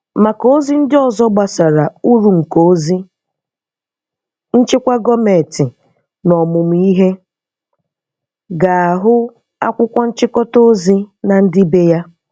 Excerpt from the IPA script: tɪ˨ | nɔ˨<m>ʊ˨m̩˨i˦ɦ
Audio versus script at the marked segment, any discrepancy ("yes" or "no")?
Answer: no